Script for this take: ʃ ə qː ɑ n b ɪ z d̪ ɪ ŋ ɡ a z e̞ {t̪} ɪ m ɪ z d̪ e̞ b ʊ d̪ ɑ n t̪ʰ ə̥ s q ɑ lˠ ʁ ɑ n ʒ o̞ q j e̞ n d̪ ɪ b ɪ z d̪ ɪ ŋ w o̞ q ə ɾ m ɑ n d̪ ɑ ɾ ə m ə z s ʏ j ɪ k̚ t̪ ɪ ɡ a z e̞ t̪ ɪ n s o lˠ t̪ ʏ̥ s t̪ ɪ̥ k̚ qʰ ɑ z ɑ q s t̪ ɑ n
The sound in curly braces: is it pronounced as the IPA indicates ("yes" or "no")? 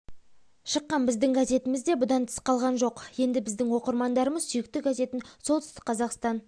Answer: yes